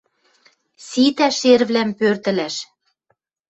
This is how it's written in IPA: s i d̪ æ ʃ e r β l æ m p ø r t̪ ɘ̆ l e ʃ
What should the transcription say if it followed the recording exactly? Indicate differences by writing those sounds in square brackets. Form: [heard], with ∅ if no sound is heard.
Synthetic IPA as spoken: s i [t̪] æ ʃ e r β l æ m p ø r t̪ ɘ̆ l [æ] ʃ

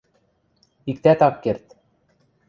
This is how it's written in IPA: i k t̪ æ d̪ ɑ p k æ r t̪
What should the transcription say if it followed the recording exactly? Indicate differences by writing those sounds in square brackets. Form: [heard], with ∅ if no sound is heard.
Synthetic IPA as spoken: i k t̪ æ [t̪] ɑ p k [e] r t̪

